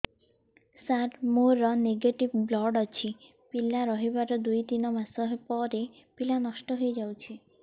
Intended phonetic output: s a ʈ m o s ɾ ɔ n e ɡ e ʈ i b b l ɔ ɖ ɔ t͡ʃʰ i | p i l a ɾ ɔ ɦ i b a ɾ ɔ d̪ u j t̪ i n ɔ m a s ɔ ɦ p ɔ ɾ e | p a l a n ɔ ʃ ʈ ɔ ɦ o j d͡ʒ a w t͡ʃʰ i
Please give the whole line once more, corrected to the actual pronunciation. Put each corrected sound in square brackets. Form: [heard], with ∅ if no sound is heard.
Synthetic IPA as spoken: s a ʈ m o [∅] ɾ ɔ n e ɡ e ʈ i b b l ɔ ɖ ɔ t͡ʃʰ i | p i l a ɾ ɔ ɦ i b a ɾ ɔ d̪ u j t̪ i n ɔ m a s ɔ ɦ p ɔ ɾ e | p [i] l a n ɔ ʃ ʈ ɔ ɦ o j d͡ʒ a w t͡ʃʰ i

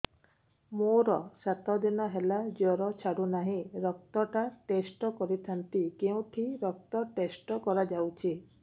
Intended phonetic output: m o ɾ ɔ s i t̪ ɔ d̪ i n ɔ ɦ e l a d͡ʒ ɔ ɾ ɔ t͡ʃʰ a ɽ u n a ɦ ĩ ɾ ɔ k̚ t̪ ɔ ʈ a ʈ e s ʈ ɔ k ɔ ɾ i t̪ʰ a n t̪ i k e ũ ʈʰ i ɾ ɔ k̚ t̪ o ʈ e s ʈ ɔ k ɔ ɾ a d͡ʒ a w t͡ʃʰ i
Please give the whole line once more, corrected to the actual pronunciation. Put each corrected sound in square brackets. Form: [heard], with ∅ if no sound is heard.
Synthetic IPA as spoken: m o ɾ ɔ s [a] t̪ ɔ d̪ i n ɔ ɦ e l a d͡ʒ ɔ ɾ ɔ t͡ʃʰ a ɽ u n a ɦ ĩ ɾ ɔ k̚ t̪ ɔ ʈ a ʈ e s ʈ ɔ k ɔ ɾ i t̪ʰ a n t̪ i k e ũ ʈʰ i ɾ ɔ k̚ t̪ [ɔ] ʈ e s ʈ ɔ k ɔ ɾ a d͡ʒ a w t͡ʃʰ i

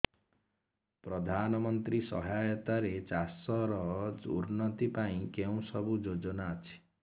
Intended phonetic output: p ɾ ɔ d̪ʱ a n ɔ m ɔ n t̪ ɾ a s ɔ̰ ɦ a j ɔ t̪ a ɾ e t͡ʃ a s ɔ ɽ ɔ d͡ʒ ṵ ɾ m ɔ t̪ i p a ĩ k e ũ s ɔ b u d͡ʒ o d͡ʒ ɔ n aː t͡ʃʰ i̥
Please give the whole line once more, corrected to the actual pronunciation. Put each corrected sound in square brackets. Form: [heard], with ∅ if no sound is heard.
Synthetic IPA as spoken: p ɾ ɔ d̪ʱ a n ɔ m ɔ n t̪ ɾ [i] s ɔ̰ ɦ a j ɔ t̪ a ɾ e t͡ʃ a s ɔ [ɾ] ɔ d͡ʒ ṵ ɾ [n] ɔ t̪ i p a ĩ k e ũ s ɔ b u d͡ʒ o d͡ʒ ɔ n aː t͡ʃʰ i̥

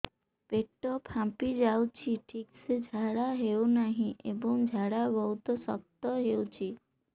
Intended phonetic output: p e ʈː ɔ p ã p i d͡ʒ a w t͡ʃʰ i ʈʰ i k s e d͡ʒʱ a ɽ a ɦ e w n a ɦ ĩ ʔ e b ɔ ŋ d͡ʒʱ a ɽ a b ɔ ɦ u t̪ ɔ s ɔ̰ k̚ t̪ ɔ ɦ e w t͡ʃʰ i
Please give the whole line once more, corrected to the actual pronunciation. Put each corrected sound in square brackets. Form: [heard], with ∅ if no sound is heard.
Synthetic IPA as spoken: p e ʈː ɔ [pʰ] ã p i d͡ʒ a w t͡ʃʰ i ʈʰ i k s e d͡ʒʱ a ɽ a ɦ e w n a ɦ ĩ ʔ e b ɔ ŋ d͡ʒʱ a ɽ a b ɔ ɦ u t̪ ɔ s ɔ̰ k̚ t̪ ɔ ɦ e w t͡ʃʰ i

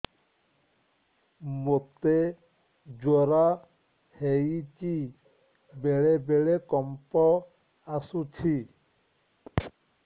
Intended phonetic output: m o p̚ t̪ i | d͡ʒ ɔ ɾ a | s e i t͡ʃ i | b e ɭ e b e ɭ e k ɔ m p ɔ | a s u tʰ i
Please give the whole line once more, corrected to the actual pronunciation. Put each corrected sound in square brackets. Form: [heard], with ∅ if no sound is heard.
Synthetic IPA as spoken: m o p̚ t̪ [e] | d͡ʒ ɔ ɾ a | [h] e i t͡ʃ i | b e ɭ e b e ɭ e k ɔ m p ɔ | a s u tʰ i

